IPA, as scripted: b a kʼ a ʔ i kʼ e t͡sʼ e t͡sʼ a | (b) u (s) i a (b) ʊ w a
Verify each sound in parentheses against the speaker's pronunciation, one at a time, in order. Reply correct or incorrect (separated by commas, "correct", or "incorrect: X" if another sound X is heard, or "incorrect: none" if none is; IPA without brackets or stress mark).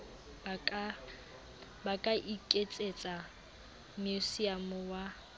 incorrect: m, correct, incorrect: m